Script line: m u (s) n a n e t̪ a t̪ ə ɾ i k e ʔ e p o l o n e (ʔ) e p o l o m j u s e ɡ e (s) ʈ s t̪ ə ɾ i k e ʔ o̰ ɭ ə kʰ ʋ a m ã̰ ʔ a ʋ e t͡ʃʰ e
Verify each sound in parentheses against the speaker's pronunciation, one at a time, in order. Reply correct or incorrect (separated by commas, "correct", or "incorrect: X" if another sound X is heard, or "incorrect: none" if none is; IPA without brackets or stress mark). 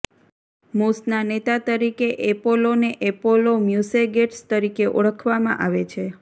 correct, correct, incorrect: none